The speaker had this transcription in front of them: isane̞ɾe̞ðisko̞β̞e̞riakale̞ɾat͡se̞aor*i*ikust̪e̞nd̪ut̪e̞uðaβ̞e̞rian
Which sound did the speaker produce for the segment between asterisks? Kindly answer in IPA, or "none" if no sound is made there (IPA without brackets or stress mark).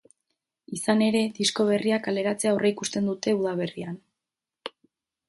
e